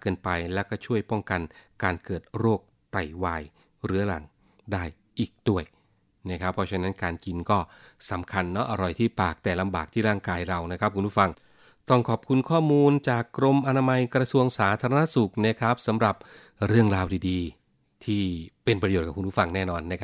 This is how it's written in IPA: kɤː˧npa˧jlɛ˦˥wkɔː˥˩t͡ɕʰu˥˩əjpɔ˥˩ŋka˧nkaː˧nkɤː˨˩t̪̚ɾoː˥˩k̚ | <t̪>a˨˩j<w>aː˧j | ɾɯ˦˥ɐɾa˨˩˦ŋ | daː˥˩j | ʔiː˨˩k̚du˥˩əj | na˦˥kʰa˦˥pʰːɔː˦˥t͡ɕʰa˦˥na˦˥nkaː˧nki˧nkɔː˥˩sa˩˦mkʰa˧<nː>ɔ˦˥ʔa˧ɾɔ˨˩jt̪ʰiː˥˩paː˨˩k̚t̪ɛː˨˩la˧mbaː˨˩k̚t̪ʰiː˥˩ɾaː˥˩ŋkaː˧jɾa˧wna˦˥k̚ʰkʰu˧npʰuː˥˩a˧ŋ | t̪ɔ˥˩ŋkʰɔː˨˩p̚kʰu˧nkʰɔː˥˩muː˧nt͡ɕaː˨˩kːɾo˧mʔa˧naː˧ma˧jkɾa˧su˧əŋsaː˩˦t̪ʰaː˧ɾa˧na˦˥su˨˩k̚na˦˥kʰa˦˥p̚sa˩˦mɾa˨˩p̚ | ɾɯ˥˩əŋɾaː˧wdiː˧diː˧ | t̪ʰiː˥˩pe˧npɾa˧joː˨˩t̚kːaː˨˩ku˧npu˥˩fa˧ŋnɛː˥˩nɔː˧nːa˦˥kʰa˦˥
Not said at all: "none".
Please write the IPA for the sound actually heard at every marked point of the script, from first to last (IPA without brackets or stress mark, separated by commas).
t̪, w, nː